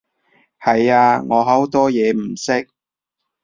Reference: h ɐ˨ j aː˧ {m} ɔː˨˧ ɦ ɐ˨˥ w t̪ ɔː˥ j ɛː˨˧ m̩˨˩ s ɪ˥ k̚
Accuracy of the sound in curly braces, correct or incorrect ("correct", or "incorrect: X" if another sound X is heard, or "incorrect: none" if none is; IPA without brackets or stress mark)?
incorrect: ŋ